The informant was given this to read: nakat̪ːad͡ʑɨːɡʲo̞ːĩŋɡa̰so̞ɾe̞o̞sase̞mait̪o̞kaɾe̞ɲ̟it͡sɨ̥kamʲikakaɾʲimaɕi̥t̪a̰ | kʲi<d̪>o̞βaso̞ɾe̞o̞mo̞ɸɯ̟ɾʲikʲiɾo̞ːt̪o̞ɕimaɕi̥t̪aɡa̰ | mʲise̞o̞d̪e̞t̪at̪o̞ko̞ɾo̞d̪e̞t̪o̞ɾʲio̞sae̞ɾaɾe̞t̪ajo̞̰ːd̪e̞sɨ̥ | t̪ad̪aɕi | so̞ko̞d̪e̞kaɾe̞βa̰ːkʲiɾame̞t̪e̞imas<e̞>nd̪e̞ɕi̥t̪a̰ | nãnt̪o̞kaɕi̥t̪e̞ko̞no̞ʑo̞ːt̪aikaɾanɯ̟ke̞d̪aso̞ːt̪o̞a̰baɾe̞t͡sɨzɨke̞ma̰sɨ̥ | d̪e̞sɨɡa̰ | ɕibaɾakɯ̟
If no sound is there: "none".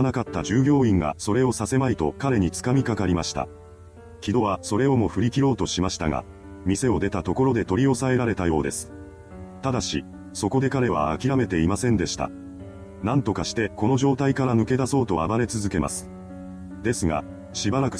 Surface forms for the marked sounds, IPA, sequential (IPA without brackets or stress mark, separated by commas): d̪, ẽ̞